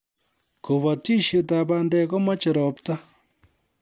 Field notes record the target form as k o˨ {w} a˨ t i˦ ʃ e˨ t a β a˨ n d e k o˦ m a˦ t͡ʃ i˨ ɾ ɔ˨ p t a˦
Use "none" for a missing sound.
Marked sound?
β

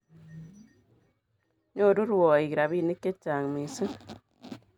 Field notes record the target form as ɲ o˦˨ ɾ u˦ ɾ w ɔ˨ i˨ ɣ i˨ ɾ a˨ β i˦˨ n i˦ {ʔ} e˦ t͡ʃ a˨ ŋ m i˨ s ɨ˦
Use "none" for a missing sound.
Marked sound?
k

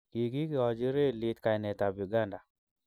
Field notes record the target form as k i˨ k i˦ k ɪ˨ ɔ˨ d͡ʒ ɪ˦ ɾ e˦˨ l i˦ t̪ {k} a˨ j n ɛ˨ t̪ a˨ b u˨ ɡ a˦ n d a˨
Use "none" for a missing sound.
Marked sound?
k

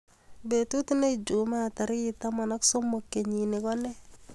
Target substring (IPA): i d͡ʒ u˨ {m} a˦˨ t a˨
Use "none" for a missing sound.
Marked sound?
m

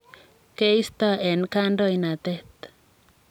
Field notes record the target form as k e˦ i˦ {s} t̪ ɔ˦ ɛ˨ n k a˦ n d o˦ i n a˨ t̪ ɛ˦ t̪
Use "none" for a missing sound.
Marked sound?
s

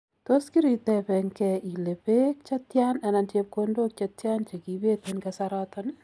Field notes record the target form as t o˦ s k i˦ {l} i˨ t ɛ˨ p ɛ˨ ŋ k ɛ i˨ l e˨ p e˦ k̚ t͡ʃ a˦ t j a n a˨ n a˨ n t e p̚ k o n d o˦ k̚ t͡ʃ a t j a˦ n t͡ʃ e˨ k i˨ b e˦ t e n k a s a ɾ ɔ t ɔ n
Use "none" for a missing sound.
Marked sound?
ɾ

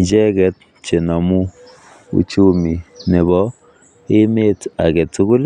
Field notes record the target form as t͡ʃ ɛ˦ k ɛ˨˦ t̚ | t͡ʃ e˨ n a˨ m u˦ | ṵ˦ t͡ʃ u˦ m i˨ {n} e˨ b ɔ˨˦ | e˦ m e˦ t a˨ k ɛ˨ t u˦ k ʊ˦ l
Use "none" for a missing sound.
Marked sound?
n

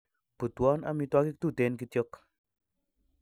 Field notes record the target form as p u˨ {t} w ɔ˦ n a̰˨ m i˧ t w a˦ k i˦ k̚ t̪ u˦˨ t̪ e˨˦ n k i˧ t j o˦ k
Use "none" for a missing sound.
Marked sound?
t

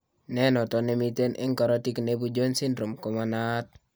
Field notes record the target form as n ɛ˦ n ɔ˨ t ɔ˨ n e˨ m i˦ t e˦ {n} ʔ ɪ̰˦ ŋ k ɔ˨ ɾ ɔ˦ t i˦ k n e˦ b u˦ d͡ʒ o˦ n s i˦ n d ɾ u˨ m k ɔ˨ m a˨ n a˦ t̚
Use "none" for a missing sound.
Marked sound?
n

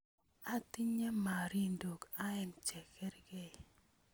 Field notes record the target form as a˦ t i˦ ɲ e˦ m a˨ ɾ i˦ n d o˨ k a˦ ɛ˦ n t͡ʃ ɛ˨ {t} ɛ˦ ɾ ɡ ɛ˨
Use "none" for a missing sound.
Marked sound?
k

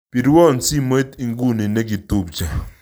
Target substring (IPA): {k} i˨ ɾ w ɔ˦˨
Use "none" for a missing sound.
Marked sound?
p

